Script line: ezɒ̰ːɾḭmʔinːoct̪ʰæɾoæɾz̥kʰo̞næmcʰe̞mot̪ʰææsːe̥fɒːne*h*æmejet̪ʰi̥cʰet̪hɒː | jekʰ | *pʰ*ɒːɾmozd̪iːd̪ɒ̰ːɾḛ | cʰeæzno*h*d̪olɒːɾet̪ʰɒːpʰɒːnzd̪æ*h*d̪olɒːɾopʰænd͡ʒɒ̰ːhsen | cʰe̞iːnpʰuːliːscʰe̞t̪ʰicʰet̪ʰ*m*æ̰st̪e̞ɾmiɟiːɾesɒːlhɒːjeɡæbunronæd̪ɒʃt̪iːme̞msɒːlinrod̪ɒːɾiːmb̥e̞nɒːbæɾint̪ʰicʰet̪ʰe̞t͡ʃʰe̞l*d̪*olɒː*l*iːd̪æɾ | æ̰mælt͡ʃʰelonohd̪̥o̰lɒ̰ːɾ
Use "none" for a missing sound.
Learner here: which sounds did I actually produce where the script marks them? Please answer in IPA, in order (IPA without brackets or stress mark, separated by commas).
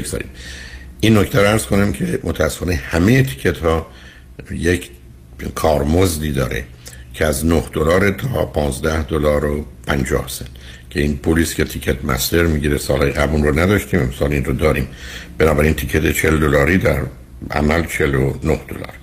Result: h, kʰ, h, h, m, d̪, ɾ